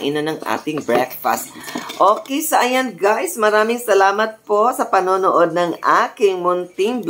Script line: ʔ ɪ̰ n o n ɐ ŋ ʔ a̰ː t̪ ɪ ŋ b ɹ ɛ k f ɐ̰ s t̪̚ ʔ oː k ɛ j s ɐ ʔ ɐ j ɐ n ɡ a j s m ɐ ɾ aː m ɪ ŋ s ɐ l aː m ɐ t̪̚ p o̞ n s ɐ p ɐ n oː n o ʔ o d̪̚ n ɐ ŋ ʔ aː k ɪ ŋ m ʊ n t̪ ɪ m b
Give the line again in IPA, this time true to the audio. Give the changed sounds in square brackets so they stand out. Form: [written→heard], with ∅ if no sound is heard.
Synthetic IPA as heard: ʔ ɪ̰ n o n ɐ ŋ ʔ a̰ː t̪ ɪ ŋ b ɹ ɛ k f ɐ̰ s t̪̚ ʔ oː k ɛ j s ɐ ʔ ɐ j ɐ n ɡ a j s m ɐ ɾ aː m ɪ ŋ s ɐ l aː m ɐ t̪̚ p o̞ [n→∅] s ɐ p ɐ n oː n o ʔ o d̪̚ n ɐ ŋ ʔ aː k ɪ ŋ m ʊ n t̪ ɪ [m→ŋ] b